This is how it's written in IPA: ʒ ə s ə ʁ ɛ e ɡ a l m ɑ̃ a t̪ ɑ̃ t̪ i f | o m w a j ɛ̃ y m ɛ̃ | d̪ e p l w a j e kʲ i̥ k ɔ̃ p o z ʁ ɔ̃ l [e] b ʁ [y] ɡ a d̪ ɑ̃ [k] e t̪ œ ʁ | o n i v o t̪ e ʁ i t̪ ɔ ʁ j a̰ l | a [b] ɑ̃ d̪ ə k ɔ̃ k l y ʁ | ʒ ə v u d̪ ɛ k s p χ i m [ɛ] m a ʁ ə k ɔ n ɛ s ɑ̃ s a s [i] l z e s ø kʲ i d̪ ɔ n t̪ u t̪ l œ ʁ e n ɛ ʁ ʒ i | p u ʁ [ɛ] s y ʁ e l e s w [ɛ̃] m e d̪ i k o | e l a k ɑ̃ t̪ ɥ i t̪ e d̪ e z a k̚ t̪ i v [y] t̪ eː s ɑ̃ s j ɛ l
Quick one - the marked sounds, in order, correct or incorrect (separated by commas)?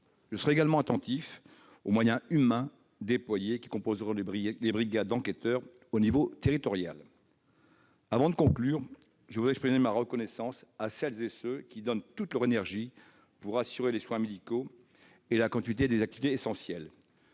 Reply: correct, incorrect, correct, incorrect, incorrect, incorrect, incorrect, correct, incorrect